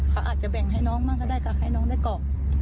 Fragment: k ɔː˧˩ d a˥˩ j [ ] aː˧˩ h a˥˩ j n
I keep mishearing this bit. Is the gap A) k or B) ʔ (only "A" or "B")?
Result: A